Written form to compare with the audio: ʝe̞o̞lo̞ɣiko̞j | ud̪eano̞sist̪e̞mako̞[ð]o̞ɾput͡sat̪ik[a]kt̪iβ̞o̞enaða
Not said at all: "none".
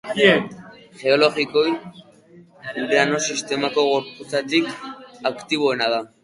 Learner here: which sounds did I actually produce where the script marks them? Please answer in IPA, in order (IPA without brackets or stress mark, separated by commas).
ɣ, a